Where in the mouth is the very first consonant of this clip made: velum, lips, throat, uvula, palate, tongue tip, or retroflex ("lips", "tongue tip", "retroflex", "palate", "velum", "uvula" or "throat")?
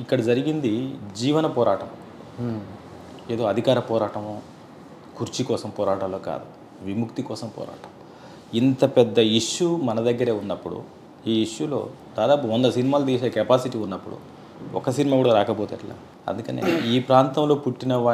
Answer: velum